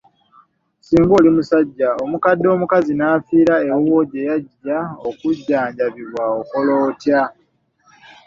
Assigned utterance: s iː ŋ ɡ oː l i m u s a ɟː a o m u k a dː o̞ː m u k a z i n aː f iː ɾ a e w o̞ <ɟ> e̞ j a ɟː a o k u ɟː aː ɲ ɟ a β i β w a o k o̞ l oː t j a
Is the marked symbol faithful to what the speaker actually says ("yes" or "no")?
yes